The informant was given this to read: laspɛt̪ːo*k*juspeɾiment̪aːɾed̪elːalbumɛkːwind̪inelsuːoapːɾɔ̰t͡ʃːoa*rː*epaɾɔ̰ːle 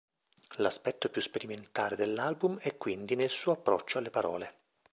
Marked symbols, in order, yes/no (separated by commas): no, no